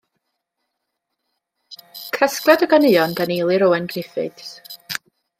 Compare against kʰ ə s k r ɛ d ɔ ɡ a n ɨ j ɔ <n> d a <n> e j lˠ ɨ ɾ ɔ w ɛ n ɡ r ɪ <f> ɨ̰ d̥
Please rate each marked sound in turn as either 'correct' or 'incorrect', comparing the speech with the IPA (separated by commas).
correct, correct, correct